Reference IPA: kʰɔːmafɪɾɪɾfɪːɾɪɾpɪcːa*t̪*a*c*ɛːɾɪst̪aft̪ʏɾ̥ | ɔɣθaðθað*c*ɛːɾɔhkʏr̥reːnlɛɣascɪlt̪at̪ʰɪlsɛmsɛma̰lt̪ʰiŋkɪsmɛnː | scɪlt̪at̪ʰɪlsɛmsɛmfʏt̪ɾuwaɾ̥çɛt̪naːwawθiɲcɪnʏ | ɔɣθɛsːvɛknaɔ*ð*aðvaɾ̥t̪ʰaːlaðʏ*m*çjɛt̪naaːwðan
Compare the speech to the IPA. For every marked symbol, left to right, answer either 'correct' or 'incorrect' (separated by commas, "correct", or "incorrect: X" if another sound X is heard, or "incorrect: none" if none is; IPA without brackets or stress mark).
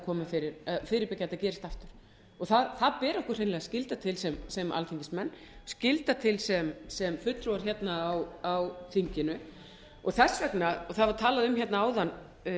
correct, correct, incorrect: p, incorrect: θ, correct